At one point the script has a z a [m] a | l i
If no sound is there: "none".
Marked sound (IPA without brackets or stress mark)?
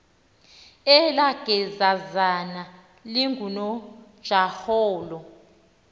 n